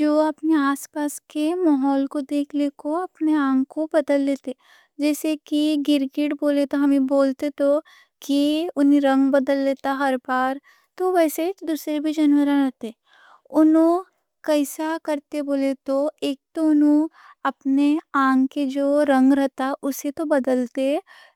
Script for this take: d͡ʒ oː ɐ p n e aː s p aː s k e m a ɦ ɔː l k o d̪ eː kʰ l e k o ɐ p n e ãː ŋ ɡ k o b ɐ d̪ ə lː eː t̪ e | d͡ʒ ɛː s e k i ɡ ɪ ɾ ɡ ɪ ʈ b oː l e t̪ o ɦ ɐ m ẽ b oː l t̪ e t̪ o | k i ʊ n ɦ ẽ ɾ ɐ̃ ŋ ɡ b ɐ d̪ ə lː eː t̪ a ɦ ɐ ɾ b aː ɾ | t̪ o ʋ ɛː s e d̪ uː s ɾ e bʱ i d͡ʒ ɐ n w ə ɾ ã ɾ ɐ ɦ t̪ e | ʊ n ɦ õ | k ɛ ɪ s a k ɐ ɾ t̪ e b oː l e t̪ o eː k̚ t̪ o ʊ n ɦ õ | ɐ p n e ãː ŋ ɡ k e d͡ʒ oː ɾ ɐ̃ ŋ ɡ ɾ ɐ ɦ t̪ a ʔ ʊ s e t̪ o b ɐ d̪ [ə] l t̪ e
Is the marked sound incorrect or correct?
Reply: correct